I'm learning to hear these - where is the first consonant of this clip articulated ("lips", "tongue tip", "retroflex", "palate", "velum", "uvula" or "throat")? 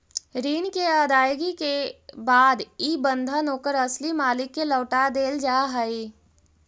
tongue tip